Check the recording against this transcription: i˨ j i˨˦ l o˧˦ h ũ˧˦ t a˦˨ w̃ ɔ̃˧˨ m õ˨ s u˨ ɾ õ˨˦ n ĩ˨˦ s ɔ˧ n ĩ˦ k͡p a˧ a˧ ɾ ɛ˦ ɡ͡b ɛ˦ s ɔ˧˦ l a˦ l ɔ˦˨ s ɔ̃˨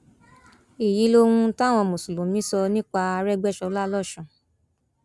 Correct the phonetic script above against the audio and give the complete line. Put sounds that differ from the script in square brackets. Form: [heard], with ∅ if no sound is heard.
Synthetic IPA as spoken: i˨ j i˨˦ l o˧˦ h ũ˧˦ t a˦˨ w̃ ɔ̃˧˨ m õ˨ s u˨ [l] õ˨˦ [m] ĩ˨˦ s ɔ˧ n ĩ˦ k͡p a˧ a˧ ɾ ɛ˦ ɡ͡b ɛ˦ [ʃ] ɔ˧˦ l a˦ l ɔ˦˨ [ʃ] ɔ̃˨